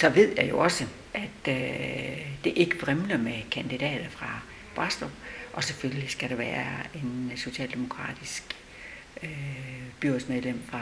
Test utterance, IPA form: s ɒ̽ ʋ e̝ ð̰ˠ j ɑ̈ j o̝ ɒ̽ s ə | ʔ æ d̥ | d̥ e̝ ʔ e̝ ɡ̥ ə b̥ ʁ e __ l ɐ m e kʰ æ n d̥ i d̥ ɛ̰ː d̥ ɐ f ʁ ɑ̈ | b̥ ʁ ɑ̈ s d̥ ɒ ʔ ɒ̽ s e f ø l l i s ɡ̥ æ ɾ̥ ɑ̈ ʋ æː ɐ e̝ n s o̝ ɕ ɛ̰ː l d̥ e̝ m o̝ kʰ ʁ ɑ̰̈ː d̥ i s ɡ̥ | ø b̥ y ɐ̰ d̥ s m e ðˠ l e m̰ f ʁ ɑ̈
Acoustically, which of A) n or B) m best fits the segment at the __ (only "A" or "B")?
B